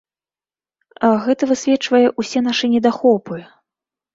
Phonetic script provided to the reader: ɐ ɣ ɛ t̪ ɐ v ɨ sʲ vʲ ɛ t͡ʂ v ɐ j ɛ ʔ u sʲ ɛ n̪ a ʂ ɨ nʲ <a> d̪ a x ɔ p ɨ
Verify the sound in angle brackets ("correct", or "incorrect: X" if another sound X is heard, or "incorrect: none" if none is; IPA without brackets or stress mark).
incorrect: ɛ